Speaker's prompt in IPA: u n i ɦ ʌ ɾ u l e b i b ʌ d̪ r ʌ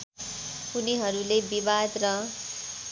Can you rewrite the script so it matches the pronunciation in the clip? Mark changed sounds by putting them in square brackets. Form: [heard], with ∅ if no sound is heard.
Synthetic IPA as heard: u n i ɦ ʌ ɾ u l e b i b [a] d̪ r ʌ